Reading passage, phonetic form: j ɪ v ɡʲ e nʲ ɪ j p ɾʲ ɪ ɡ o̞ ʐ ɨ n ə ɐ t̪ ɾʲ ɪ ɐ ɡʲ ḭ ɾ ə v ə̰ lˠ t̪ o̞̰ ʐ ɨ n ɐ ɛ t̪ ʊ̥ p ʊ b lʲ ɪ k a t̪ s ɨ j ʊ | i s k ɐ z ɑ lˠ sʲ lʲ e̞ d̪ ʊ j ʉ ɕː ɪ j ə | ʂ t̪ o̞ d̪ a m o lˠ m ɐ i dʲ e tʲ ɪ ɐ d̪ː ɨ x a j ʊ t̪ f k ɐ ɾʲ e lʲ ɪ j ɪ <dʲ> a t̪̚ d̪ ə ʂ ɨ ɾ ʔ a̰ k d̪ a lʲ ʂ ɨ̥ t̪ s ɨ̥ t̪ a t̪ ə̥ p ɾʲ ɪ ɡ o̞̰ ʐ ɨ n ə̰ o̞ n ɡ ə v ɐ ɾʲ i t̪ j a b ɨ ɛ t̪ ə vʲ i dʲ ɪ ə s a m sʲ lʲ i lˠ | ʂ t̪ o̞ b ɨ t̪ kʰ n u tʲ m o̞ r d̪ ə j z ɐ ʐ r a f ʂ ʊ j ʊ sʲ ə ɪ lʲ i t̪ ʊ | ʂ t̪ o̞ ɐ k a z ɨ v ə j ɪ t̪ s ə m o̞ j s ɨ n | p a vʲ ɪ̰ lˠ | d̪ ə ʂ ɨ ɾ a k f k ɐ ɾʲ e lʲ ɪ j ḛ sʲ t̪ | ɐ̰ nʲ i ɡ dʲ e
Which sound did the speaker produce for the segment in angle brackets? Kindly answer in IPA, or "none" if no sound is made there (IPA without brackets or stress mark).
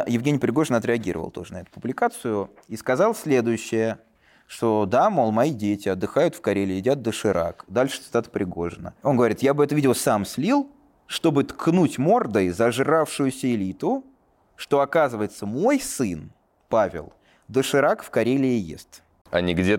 dʲ